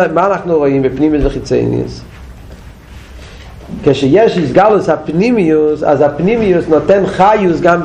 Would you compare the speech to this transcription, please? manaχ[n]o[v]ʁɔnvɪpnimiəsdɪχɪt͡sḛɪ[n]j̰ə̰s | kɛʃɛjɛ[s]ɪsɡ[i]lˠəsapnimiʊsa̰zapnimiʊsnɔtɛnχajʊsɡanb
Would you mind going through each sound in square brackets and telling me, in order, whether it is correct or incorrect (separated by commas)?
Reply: correct, incorrect, correct, incorrect, incorrect